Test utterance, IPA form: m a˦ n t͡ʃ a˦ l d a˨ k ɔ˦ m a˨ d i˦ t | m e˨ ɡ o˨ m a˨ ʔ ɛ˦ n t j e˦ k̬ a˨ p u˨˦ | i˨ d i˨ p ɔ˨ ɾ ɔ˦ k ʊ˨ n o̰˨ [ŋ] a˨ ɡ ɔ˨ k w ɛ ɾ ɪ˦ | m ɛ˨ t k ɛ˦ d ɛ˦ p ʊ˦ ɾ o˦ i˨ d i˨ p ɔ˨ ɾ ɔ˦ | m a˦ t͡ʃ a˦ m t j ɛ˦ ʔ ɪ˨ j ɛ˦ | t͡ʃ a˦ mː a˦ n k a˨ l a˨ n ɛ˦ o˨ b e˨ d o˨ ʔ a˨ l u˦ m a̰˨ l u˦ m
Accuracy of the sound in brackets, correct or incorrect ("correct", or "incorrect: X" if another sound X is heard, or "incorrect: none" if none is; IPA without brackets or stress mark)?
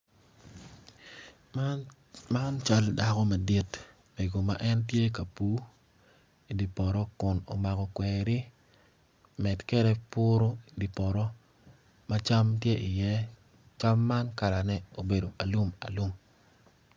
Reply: incorrect: m